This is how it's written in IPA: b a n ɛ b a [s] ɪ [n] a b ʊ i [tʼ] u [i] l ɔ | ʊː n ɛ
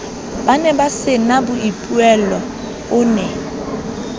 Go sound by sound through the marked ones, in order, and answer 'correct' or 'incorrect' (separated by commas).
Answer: correct, correct, incorrect, incorrect